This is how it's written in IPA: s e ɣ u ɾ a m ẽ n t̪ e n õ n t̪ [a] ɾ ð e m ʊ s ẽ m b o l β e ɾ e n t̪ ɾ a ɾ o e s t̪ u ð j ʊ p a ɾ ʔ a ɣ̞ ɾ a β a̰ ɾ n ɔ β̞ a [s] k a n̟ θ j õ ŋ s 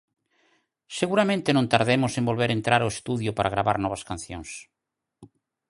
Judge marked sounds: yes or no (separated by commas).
yes, yes